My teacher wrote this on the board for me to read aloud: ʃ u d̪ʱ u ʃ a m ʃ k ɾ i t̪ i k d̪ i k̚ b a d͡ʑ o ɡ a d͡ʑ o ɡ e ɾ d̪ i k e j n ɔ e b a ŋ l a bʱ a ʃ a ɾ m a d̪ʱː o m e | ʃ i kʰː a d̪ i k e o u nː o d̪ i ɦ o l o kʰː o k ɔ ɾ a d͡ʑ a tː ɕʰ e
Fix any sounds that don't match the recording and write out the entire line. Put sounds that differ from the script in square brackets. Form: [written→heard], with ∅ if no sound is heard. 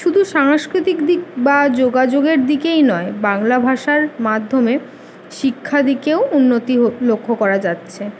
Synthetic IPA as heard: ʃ u d̪ʱ u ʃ a [m→ŋ] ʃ k ɾ i t̪ i k d̪ i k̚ b a d͡ʑ o ɡ a d͡ʑ o ɡ e ɾ d̪ i k e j n ɔ e b a ŋ l a bʱ a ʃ a ɾ m a d̪ʱː o m e | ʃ i kʰː a d̪ i k e o u nː o [d̪→t̪] i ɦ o l o kʰː o k ɔ ɾ a d͡ʑ a tː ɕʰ e